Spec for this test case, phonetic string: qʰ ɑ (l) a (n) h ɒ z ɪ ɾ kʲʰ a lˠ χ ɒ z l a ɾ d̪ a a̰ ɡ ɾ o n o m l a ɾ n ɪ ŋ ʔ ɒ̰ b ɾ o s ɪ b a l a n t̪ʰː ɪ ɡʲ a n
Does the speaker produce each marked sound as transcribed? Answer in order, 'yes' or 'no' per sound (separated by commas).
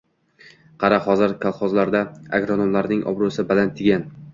no, no